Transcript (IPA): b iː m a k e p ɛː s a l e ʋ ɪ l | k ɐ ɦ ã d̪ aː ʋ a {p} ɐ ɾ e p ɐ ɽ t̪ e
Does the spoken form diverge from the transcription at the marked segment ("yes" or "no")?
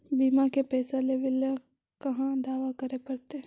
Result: yes